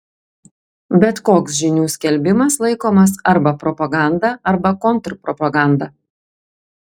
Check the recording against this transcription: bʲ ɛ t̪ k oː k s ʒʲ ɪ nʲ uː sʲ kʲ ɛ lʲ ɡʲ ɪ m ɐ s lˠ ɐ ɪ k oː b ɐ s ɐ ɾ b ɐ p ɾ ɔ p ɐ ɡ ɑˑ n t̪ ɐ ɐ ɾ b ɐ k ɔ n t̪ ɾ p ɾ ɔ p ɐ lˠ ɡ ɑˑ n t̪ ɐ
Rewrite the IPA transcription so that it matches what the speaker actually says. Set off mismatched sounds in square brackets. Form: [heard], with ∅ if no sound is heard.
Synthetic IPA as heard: bʲ ɛ t̪ k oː k s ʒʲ ɪ nʲ uː sʲ kʲ ɛ lʲ [bʲ] ɪ m ɐ s lˠ ɐ ɪ k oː [m] ɐ s ɐ ɾ b ɐ p ɾ ɔ p ɐ ɡ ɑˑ n [d̪] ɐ ɐ ɾ b ɐ k ɔ n t̪ ɾ p ɾ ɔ p ɐ [∅] ɡ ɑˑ n [d̪] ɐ